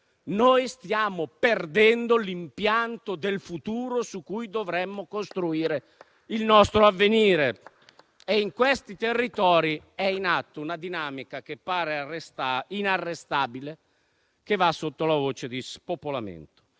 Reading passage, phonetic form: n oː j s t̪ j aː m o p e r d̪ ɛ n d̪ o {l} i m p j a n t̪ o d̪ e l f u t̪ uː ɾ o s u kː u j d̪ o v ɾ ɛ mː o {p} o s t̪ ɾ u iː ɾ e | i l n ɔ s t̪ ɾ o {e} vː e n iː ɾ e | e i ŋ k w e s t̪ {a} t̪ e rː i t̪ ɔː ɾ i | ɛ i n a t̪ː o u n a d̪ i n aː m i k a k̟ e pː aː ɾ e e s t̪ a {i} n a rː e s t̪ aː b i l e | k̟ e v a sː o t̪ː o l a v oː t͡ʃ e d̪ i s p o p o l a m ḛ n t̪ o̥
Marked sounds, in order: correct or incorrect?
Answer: correct, incorrect, incorrect, incorrect, correct

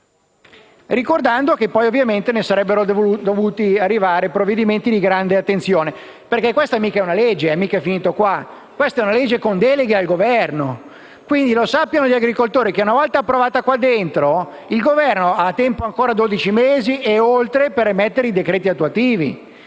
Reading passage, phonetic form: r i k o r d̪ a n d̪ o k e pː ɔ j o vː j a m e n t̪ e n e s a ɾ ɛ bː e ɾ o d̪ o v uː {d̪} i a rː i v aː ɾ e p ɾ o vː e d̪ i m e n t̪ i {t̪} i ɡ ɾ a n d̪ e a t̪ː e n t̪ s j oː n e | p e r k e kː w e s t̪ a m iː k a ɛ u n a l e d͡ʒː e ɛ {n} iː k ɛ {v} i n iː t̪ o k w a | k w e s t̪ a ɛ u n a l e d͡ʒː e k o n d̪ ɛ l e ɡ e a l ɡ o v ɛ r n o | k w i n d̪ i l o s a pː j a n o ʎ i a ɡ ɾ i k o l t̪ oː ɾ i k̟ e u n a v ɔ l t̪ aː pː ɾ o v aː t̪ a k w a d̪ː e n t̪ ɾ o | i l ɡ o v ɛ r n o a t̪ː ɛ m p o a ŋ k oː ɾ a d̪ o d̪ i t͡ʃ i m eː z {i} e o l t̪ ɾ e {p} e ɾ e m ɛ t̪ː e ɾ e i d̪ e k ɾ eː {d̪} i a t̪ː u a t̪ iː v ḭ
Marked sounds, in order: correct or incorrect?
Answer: incorrect, incorrect, incorrect, incorrect, correct, correct, incorrect

